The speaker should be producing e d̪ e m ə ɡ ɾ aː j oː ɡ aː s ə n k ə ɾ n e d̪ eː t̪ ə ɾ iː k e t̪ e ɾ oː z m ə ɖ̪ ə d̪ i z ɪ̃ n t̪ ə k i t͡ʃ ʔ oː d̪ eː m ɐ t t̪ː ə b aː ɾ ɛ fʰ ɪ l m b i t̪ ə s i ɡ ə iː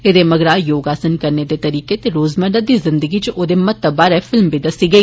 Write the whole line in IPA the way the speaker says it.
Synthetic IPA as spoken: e d̪ e m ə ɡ ɾ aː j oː ɡ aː s ə n k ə ɾ n e d̪ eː t̪ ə ɾ iː k e t̪ e ɾ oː z m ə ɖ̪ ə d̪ i z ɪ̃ n d̪ ə ɡ i t͡ʃ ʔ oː d̪ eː m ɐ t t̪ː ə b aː ɾ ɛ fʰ ɪ l m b i d̪ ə s i ɡ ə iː

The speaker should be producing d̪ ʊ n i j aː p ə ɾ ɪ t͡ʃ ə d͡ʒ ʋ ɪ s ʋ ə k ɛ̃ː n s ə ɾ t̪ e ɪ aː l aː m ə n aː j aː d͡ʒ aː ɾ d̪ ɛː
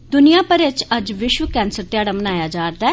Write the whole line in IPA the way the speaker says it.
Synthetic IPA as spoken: d̪ ʊ n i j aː p ə ɾ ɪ t͡ʃ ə d͡ʒ ʋ ɪ ʃ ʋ ə k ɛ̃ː n s ə ɾ t̪ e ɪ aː ɽ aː m ə n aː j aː d͡ʒ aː ɾ d̪ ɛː

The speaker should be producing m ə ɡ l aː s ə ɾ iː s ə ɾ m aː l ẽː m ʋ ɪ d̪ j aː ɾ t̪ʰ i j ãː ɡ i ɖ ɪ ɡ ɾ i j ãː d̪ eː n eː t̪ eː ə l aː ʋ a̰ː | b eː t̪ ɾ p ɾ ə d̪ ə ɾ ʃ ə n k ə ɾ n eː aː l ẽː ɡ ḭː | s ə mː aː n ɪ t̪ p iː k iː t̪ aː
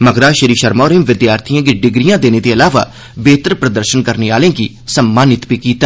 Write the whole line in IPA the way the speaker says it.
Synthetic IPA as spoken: m ə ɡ ɾ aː ʃ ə ɾ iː ʃ ə ɾ m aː ɾ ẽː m ʋ ɪ d̪ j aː ɾ t̪ʰ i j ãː ɡ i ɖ ɪ ɡ ɾ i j ãː d̪ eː n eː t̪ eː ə l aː ʋ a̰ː | b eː t̪ ɾ p ɾ ə d̪ ə ɾ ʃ ə n k ə ɾ n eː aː l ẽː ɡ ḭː | s ə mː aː n ɪ t̪ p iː k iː t̪ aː

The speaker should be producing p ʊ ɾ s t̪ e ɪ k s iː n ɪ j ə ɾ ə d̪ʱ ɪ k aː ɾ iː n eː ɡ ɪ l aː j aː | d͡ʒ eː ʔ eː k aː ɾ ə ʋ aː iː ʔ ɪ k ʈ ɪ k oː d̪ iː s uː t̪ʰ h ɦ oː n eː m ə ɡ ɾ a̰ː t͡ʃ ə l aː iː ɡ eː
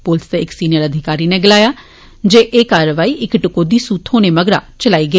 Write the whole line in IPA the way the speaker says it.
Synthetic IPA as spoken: p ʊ l s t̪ e ɪ k s iː n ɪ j ə ɾ ə d̪ʱ ɪ k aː ɾ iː n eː ɡ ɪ l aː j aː | d͡ʒ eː ʔ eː k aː ɾ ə ʋ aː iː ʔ ɪ k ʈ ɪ k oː d̪ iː s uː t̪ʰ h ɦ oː n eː m ə ɡ ɾ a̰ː t͡ʃ ə l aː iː ɡ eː

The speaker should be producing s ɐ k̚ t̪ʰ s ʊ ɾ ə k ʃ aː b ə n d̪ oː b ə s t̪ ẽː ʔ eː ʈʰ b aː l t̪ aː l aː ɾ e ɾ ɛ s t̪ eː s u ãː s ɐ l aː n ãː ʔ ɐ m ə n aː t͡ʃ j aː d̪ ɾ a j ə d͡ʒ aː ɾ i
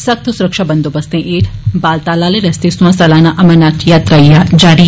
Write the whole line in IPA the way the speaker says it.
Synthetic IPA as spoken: s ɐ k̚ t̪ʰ s ʊ ɾ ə k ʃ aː b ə n d̪ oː b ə s t̪ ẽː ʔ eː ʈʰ b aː l t̪ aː l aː l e ɾ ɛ s t̪ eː s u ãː s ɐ l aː n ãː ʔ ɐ m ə n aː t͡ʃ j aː t̪ ɾ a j a d͡ʒ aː ɾ i

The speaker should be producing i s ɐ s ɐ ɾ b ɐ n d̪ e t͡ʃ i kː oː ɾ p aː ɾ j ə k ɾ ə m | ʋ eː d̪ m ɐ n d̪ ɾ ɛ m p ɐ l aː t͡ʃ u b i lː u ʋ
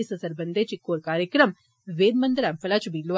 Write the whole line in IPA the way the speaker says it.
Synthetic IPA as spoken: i s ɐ s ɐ ɾ b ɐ n d̪ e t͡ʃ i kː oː ɾ k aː ɾ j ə k ɾ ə m | ʋ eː d̪ m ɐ n d̪ ɾ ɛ m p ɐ l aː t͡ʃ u b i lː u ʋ

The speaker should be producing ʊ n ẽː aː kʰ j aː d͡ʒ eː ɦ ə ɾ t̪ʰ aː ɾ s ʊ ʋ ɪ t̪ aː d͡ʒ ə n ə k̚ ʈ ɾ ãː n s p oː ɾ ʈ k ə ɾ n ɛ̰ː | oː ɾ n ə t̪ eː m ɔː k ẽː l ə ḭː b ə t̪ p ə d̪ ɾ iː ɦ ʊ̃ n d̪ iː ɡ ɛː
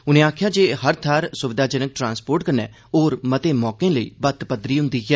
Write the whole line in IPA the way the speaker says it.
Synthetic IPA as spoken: ʊ n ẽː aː kʰ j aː d͡ʒ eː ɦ ə ɾ t̪ʰ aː ɾ s ʊ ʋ ɪ d̪ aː d͡ʒ ə n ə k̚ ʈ ɾ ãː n s p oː ɾ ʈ k ə ɾ n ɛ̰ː | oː ɾ m ə t̪ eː m ɔː k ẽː l ə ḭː b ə t̪ p ə d̪ ɾ iː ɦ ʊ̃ n d̪ iː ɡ ɛː

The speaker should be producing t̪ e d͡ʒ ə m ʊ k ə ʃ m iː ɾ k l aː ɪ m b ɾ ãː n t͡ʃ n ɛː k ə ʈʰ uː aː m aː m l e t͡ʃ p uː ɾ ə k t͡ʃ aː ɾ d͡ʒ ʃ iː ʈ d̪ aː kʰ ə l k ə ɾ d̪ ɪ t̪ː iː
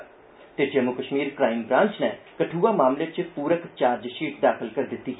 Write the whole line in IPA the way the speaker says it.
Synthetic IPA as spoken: t̪ e d͡ʒ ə m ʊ k ə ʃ m iː ɾ k ɾ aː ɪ m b ɾ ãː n t͡ʃ n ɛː k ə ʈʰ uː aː m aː m l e t͡ʃ p uː ɾ ə k t͡ʃ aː ɾ d͡ʒ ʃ iː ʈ d̪ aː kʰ ə l k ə ɾ d̪ ɪ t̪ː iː

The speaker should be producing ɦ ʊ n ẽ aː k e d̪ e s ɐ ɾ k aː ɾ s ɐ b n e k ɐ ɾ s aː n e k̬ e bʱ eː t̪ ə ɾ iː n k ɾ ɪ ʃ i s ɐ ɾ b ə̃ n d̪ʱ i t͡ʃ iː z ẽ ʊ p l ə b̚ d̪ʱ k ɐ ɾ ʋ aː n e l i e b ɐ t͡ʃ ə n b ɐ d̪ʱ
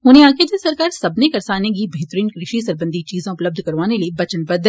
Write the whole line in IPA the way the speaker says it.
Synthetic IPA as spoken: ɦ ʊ n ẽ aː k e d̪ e s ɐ ɾ k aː ɾ s ɐ b n e k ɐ ɾ s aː n e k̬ i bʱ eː t̪ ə ɾ iː n k ɾ ɪ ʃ i s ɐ ɾ b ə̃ n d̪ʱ i t͡ʃ iː z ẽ ʊ p l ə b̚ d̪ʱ k ɐ ɾ ʋ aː n e l i e b ɐ t͡ʃ ə n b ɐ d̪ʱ

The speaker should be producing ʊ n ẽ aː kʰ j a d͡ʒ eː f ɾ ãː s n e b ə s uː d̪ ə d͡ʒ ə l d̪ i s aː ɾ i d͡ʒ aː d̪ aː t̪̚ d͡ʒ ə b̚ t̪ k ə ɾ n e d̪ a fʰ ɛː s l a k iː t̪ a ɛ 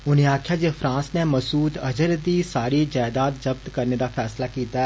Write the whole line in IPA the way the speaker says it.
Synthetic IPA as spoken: ʊ n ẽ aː kʰ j a d͡ʒ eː f ɾ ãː s n e m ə s uː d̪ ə d͡ʒ ə ɾ d̪ i s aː ɾ i d͡ʒ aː d̪ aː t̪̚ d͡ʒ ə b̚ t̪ k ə ɾ n e d̪ a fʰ ɛː s l a k iː t̪ a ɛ

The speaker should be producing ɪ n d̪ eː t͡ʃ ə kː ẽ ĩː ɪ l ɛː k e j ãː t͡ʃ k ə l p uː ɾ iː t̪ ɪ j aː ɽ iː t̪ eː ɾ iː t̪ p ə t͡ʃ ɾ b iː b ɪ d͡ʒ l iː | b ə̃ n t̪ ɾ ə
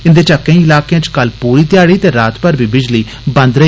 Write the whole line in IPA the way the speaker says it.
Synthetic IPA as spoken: ɪ n d̪ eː t͡ʃ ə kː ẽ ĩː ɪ l aː k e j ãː t͡ʃ k ə l p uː ɾ iː t̪ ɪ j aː ɽ iː t̪ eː ɾ aː t̪ p ə ɾ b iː b ɪ d͡ʒ l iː | b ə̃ n d̪ ɾ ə

